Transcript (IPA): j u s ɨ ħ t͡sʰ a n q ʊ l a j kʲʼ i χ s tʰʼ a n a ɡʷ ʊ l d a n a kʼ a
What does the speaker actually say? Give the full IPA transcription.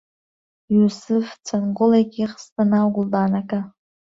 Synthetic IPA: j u s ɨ f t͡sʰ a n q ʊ l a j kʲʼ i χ s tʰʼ a n a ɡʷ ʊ l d a n a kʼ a